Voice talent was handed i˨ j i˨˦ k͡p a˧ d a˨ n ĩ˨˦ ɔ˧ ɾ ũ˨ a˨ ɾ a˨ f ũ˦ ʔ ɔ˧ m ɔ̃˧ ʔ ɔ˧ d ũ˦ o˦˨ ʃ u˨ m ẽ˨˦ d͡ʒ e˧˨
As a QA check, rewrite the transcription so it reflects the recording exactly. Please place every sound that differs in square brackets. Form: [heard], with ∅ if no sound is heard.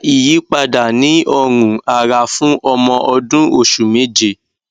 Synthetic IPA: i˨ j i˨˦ k͡p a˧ d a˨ n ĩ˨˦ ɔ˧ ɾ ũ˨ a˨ ɾ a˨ f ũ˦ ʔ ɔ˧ m ɔ̃˧ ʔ ɔ˧ d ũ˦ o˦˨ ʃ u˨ m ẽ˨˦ d͡ʒ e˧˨